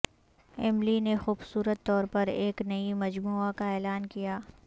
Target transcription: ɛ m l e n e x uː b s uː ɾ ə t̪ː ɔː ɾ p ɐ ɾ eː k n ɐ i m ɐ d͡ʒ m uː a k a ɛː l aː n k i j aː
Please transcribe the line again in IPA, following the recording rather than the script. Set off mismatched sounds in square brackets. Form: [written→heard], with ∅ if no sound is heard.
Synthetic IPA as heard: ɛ m l [e→i] n e x uː b s uː ɾ ə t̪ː ɔː ɾ p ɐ ɾ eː k n ɐ i m ɐ d͡ʒ m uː a k a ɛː l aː n k i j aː